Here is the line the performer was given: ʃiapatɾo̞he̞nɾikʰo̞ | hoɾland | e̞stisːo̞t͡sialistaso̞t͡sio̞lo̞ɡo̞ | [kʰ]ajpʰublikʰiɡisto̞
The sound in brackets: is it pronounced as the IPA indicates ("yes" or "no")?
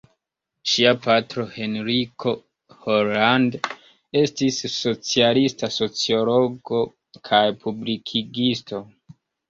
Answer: yes